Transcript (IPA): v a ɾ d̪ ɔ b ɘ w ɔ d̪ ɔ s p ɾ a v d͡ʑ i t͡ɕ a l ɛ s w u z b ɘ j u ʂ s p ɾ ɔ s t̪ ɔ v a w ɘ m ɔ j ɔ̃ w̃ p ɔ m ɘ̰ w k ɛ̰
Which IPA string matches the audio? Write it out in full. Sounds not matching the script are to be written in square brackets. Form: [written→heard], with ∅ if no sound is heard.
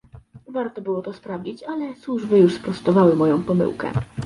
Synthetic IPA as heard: v a ɾ [d̪→t̪] ɔ b ɘ w ɔ [d̪→t̪] ɔ s p ɾ a v d͡ʑ i t͡ɕ a l ɛ s w u [z→ʐ] b ɘ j u ʂ s p ɾ ɔ s t̪ ɔ v a w ɘ m ɔ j ɔ̃ w̃ p ɔ m ɘ̰ w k ɛ̰